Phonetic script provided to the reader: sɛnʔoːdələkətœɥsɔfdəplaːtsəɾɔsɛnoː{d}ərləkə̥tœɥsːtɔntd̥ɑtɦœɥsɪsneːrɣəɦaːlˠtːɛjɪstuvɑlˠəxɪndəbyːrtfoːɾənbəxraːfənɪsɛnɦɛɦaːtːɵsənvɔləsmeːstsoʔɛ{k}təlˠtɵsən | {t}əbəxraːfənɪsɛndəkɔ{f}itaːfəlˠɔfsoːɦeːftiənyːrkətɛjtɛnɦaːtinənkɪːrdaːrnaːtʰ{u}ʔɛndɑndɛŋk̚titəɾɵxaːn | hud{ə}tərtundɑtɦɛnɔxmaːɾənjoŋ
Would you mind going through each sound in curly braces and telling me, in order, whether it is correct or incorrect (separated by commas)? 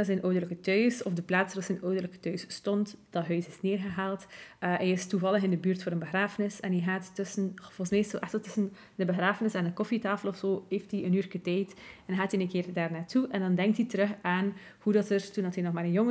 correct, incorrect, incorrect, correct, correct, incorrect